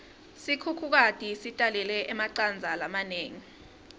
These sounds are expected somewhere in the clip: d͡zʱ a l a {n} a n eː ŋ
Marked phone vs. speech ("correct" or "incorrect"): incorrect